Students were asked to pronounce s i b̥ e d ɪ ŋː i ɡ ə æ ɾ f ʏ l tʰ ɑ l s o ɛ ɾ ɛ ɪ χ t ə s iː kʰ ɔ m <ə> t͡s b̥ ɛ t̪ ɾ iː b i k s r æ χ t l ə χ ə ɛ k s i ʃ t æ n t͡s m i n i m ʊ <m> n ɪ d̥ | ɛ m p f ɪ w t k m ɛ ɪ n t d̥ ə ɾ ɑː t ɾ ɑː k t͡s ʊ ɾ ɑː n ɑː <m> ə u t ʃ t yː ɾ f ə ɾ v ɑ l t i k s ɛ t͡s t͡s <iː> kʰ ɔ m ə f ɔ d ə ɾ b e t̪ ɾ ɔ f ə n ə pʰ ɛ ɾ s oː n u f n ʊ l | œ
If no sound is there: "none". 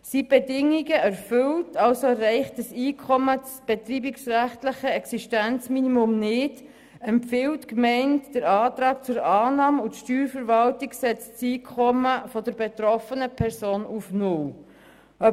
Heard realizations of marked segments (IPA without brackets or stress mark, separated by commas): ə, m, m, iː